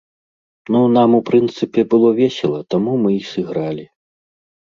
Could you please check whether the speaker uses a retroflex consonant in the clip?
no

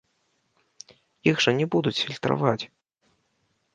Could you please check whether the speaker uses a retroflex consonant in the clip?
yes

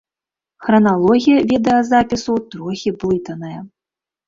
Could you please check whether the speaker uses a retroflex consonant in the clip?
no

